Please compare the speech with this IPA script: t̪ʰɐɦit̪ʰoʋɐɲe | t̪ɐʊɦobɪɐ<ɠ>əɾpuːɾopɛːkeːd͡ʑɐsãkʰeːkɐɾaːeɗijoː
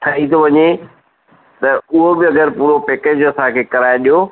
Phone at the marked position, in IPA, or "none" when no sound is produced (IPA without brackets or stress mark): ɡ